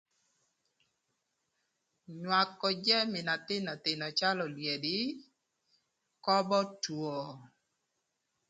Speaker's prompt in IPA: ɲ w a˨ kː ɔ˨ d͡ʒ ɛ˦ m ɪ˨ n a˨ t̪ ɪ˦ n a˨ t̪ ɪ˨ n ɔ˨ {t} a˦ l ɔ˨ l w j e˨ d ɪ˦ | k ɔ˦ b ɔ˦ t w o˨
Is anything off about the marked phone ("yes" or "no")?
yes